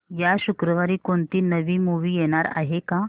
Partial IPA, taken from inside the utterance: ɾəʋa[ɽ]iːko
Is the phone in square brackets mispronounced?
yes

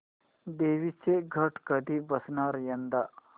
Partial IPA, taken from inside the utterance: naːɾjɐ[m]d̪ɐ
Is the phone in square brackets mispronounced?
yes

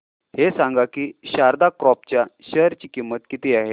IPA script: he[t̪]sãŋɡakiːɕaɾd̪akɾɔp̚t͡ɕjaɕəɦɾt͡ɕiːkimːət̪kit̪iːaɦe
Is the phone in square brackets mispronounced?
yes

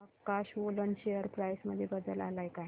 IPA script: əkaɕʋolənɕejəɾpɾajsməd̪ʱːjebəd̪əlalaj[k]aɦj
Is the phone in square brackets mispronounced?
no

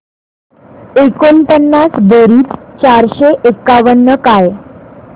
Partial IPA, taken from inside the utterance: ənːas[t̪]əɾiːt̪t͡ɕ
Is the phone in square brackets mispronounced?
yes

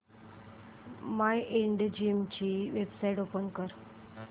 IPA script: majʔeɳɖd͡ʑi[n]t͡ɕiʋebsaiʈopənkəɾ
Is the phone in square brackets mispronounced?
yes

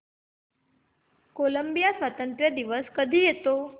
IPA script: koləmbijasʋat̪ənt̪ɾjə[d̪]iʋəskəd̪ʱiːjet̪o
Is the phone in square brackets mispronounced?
no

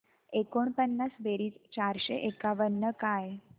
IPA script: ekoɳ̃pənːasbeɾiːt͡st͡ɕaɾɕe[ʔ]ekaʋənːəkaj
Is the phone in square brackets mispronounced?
no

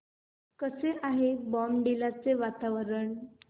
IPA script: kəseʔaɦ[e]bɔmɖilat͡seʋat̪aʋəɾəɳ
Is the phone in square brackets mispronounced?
no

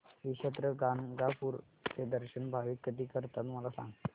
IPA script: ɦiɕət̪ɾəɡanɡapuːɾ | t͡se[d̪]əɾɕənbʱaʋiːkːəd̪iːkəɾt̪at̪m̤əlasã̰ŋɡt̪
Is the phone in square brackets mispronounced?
no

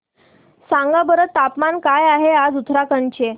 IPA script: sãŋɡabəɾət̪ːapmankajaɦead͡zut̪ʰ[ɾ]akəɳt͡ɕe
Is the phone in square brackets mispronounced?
no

